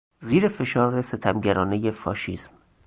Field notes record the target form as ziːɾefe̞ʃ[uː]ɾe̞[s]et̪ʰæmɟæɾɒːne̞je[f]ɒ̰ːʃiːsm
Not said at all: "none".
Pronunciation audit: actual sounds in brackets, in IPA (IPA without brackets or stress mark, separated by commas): ɒː, s, f